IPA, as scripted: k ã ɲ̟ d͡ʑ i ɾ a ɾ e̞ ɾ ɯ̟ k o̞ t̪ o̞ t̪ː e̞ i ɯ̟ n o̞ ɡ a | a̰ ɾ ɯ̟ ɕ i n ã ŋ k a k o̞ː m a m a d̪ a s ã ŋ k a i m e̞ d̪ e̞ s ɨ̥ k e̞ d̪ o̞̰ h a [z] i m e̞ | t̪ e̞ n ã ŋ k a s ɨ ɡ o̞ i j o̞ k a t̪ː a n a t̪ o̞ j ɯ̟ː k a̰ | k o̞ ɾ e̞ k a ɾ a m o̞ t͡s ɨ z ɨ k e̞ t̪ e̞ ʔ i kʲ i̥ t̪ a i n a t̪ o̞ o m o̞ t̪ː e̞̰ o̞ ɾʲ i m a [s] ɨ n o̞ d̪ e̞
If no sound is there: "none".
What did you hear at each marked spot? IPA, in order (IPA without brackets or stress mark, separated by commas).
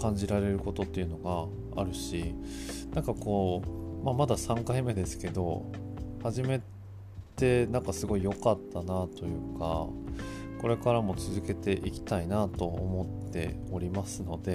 ʑ, s